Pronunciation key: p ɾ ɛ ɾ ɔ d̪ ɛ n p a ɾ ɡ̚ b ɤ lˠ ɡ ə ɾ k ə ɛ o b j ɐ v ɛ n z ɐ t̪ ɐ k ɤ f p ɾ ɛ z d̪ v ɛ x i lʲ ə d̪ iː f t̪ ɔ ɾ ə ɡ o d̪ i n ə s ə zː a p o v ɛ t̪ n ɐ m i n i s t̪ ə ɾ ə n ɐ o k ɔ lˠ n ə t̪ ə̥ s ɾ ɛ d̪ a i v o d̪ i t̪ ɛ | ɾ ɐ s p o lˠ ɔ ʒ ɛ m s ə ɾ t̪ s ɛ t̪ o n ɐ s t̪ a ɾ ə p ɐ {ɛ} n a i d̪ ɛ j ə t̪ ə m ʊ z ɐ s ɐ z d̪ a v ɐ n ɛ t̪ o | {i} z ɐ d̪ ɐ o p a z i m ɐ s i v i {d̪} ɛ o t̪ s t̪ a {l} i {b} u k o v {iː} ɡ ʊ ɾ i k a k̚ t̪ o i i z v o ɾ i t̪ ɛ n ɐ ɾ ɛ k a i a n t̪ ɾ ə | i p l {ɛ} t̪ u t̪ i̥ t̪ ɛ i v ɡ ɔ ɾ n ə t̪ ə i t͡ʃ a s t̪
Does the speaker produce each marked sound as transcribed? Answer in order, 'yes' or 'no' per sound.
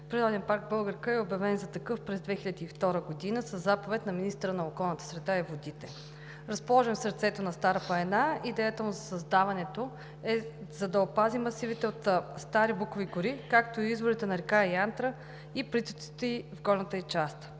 yes, no, no, no, yes, no, no

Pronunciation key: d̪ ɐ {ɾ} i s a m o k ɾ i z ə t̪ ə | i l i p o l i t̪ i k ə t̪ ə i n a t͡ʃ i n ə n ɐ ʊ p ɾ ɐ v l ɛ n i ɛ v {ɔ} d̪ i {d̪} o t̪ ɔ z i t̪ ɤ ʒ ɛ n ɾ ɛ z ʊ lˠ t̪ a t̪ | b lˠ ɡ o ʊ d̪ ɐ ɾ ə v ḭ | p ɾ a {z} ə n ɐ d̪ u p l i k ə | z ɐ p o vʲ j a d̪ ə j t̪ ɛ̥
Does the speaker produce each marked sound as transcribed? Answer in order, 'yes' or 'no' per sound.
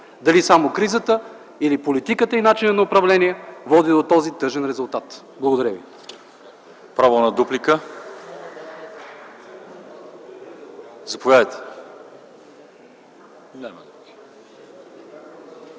no, yes, yes, no

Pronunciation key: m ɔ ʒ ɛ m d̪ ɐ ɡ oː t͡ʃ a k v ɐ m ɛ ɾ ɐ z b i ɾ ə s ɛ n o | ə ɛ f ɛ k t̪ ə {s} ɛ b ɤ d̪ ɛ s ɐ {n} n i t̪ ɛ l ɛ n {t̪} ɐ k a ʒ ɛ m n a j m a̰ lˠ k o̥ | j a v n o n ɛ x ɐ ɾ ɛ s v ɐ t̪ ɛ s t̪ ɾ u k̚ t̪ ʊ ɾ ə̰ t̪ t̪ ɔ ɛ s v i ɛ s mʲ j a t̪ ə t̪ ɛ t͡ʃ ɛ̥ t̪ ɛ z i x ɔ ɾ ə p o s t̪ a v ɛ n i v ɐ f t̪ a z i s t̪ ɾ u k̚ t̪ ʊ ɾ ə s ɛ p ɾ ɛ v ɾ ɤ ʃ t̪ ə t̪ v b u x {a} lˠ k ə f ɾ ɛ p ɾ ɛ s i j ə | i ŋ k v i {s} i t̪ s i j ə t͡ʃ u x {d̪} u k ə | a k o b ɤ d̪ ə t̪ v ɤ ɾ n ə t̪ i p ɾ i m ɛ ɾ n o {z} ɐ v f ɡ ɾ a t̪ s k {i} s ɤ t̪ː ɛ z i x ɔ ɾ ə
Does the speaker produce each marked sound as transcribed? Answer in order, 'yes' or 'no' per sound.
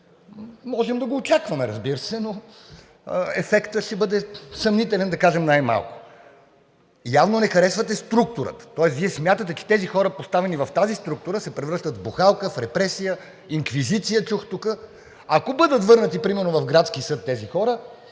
no, no, no, yes, no, no, no, yes

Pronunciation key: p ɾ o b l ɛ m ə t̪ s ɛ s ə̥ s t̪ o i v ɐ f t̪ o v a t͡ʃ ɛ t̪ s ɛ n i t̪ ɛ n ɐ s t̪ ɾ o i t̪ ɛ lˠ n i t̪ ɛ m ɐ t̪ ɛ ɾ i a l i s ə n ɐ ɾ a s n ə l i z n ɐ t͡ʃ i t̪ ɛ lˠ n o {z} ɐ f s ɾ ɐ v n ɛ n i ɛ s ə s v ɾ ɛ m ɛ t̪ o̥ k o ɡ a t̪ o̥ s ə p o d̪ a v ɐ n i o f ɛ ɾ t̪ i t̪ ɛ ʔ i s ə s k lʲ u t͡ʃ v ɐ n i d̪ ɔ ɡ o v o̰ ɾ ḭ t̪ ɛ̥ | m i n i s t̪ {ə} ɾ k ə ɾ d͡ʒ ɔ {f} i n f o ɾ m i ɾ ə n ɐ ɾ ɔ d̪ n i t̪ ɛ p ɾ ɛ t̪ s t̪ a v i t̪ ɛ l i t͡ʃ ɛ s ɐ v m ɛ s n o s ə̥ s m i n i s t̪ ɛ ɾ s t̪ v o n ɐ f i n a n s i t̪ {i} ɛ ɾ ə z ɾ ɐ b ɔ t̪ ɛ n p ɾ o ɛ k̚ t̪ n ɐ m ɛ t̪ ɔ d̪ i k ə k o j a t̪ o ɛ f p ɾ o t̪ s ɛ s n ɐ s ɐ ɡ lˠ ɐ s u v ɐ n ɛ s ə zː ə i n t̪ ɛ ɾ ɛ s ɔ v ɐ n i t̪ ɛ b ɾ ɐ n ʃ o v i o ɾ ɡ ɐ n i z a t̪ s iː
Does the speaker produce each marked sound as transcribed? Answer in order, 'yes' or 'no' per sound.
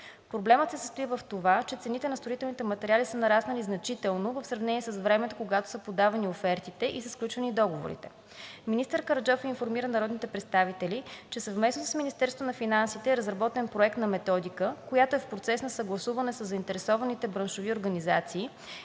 no, yes, yes, no

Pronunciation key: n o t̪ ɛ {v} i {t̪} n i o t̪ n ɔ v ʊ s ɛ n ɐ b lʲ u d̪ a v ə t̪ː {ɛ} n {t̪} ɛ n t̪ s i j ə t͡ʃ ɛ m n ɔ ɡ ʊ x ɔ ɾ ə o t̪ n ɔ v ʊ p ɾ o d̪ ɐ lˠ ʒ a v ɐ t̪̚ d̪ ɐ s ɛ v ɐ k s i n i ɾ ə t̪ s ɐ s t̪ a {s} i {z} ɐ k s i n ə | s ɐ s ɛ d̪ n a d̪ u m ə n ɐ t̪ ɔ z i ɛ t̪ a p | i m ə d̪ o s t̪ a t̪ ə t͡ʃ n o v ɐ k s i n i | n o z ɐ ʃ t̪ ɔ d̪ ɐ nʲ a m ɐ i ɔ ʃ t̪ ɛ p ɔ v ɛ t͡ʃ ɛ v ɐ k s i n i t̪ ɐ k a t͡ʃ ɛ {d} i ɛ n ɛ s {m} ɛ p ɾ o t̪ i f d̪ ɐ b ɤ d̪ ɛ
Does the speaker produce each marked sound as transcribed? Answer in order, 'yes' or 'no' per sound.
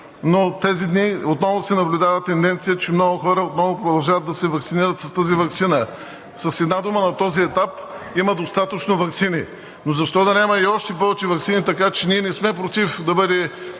no, no, yes, no, no, no, no, yes

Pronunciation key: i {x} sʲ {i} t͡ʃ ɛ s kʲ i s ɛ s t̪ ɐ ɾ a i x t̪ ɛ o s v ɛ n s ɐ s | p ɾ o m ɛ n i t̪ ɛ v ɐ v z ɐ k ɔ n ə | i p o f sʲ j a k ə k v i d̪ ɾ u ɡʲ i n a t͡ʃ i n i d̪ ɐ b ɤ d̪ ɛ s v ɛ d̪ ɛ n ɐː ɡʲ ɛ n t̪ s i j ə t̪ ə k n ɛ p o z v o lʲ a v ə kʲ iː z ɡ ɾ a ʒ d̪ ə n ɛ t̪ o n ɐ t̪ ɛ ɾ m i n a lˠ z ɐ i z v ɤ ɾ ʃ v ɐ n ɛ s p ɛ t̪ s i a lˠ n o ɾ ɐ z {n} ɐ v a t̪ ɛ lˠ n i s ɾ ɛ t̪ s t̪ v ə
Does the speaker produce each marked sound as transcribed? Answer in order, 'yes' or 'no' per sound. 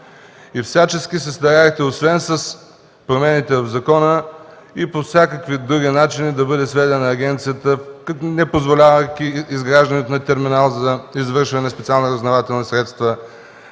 no, no, yes

